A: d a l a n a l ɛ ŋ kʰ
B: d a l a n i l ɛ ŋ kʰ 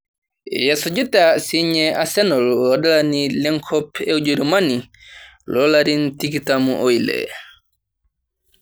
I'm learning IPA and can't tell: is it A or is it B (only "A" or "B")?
B